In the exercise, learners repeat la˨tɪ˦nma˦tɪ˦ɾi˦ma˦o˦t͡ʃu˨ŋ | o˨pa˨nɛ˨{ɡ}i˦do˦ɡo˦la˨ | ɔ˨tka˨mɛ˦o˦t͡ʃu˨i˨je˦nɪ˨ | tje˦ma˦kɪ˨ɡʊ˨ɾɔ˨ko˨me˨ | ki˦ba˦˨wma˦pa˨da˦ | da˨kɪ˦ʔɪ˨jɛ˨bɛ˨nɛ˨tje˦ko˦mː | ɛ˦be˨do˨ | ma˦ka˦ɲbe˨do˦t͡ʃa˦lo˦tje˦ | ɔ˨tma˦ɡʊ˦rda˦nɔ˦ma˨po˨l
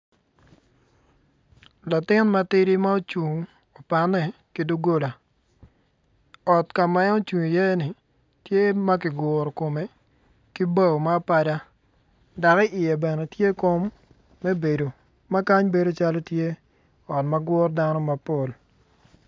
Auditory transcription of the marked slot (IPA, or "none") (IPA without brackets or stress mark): k